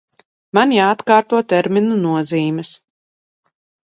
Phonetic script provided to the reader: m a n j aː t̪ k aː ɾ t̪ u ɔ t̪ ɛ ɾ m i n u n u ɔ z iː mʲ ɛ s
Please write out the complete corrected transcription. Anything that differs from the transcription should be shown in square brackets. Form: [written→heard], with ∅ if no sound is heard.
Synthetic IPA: m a n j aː t̪ k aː ɾ t̪ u ɔ t̪ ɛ ɾ m i n u n u ɔ z iː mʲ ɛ s